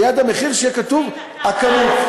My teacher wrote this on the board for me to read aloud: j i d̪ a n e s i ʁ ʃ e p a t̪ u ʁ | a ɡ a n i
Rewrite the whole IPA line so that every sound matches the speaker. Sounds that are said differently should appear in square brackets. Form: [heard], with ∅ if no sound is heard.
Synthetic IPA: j [a] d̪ a [m] e [χ] i ʁ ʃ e [k] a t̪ u [v] | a [k] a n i